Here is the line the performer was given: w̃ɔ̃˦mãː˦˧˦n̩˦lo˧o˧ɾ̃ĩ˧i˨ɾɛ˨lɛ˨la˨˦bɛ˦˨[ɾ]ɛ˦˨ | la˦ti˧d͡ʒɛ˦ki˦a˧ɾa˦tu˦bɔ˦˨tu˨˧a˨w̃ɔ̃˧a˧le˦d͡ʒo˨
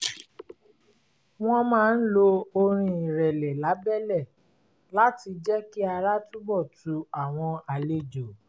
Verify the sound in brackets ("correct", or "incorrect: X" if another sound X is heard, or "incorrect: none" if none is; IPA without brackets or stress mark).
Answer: incorrect: l